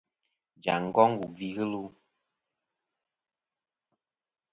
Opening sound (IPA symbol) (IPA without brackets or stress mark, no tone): d͡ʒ